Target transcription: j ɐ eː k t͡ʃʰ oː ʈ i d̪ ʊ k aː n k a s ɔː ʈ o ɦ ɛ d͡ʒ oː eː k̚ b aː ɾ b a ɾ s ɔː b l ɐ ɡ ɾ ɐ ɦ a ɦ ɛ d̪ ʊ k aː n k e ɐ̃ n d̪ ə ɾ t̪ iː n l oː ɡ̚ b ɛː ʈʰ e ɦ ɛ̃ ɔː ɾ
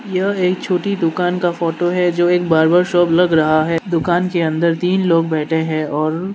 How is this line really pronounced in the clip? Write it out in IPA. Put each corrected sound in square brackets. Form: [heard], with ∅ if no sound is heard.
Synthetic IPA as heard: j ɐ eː k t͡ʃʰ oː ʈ i d̪ ʊ k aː n k a [f] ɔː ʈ o ɦ ɛ d͡ʒ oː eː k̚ b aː ɾ b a ɾ [ʃ] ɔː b l ɐ ɡ ɾ ɐ ɦ a ɦ ɛ d̪ ʊ k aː n k e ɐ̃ n d̪ ə ɾ t̪ iː n l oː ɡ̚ b ɛː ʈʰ e ɦ ɛ̃ ɔː ɾ